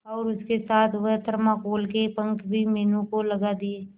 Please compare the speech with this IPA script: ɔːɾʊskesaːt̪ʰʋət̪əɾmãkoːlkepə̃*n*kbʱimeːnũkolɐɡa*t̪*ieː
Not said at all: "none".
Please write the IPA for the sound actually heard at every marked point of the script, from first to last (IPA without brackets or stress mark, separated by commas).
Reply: ŋ, d̪